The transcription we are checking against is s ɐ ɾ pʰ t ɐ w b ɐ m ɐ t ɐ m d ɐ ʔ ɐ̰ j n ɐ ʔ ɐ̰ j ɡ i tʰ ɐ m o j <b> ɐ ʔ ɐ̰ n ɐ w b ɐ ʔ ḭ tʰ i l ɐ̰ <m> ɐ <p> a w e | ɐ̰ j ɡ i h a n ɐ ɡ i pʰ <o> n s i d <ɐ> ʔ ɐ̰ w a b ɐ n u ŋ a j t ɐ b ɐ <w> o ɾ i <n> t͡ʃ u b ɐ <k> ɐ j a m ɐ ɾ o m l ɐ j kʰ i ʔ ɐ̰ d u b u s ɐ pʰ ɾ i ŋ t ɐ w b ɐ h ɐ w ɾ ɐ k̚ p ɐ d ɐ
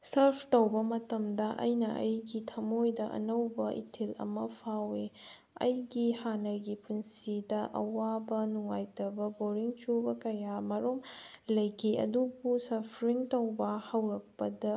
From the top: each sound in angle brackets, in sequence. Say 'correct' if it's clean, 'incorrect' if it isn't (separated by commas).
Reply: incorrect, correct, incorrect, incorrect, correct, incorrect, incorrect, correct